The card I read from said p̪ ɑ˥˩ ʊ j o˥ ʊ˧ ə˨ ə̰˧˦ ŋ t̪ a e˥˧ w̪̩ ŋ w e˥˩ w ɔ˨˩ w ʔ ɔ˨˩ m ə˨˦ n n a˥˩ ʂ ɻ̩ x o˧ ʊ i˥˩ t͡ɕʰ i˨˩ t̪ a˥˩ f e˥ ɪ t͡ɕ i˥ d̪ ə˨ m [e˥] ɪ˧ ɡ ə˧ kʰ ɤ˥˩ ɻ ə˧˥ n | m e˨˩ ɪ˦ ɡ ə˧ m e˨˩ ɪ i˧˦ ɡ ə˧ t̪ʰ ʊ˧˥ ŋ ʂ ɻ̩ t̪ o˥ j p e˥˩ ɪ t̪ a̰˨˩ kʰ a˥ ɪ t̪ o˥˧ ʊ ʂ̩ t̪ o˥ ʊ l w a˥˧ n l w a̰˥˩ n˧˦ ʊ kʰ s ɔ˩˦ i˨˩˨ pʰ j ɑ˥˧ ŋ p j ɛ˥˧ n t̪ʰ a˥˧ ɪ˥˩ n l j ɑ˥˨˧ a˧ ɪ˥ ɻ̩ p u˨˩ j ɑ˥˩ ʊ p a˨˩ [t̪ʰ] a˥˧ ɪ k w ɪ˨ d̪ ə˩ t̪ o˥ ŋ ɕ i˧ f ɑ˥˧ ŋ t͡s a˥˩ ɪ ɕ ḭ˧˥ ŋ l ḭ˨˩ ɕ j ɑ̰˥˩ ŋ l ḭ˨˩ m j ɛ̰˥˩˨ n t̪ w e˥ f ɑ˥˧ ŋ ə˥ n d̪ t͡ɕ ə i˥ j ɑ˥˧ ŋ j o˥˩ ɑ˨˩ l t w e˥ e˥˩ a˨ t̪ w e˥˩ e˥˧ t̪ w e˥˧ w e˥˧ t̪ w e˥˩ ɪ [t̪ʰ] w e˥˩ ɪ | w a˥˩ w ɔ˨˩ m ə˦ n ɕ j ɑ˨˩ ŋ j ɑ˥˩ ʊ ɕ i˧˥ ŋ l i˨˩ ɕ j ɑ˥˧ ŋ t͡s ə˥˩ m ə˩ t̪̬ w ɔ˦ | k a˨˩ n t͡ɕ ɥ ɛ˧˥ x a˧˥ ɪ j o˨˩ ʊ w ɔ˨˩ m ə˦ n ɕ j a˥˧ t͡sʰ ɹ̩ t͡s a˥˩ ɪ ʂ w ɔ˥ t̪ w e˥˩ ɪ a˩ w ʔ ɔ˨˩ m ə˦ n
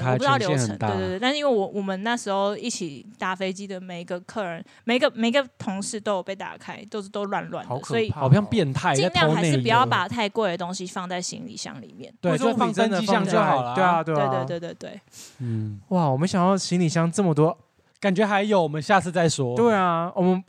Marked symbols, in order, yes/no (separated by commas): no, yes, no